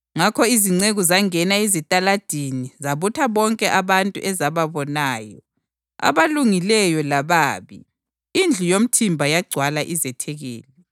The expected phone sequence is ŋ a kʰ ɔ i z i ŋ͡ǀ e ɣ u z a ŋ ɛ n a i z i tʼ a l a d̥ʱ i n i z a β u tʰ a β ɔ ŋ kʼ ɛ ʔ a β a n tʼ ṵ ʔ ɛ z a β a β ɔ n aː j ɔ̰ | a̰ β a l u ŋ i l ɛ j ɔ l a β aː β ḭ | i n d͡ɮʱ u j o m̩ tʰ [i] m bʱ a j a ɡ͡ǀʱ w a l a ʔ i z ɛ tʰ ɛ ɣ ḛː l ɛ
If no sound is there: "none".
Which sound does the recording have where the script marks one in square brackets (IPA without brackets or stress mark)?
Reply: i